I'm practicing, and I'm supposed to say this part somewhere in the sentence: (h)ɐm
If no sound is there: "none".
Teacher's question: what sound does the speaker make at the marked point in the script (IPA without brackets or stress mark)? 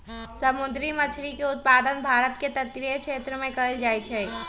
s